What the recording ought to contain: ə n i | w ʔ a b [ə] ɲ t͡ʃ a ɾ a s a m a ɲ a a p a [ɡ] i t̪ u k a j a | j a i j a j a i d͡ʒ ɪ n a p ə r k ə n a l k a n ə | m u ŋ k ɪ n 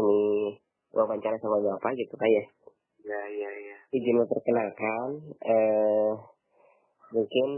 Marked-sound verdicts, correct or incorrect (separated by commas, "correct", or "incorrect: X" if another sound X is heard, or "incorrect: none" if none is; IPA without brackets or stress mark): incorrect: a, correct